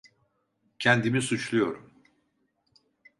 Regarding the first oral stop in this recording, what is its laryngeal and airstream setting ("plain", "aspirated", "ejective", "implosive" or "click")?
aspirated